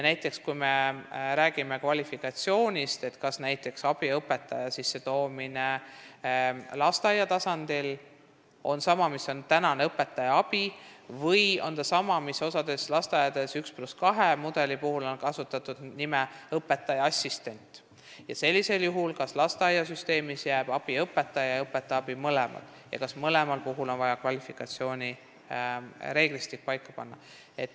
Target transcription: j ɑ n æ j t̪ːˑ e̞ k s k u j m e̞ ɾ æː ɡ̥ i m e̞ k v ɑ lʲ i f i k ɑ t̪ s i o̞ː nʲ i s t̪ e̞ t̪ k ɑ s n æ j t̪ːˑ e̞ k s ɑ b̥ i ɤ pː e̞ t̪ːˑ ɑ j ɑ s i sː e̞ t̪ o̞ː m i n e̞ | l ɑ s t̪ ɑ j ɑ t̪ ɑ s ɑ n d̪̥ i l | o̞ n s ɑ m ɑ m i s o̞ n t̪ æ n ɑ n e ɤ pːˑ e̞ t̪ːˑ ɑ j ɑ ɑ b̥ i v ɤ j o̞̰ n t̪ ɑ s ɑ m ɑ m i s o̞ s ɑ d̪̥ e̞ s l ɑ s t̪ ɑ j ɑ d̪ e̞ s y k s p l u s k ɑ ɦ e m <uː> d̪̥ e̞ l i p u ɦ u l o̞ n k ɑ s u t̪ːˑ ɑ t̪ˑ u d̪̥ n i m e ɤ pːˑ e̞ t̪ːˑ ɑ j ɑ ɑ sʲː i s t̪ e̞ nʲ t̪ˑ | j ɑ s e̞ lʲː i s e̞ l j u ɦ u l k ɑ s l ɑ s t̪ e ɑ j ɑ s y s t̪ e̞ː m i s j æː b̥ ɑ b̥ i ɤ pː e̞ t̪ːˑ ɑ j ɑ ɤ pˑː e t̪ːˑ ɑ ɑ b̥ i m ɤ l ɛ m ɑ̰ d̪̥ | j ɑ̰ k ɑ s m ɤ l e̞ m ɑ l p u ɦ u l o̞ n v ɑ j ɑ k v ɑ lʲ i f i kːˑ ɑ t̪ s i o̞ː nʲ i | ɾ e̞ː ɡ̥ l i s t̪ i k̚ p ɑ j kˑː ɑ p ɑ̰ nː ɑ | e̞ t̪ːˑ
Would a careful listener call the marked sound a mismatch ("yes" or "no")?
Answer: yes